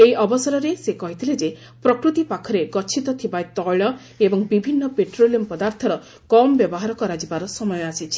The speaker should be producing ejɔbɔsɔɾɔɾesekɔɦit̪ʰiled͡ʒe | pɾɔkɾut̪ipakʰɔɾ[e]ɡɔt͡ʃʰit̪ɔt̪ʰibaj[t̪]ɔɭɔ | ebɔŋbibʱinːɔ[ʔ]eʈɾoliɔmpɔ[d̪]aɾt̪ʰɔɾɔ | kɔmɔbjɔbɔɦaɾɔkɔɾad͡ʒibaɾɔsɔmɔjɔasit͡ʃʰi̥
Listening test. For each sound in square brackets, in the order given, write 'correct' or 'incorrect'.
correct, correct, incorrect: p, correct

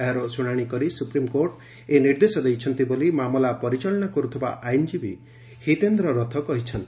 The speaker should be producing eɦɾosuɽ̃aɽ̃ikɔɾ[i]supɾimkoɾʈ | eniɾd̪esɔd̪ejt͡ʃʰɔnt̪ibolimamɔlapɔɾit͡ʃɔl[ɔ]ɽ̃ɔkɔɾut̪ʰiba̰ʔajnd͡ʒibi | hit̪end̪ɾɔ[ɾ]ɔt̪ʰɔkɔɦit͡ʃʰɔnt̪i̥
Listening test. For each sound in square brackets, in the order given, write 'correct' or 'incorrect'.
correct, correct, correct

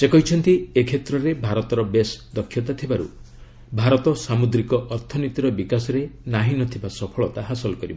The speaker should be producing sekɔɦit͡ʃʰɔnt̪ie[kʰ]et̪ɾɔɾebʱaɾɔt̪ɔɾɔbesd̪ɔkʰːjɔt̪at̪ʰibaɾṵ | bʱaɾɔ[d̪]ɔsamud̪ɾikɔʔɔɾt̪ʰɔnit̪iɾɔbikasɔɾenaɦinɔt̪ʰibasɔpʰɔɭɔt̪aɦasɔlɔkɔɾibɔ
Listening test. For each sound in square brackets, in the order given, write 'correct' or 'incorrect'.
correct, incorrect: t̪

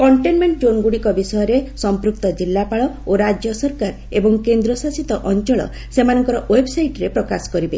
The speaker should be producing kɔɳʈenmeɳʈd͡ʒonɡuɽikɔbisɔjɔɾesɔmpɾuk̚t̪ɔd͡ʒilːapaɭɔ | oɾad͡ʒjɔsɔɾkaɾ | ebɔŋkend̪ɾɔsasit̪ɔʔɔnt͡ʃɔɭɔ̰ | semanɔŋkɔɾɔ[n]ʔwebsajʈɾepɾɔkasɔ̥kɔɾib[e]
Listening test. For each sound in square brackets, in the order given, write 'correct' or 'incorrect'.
incorrect: none, correct

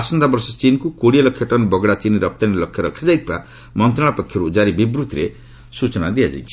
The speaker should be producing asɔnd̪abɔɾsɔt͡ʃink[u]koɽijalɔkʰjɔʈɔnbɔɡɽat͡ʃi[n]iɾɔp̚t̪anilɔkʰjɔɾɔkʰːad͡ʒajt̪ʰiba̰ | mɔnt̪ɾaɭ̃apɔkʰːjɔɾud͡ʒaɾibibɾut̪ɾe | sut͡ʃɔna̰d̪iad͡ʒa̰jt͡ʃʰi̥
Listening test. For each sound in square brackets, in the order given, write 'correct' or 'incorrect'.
correct, correct

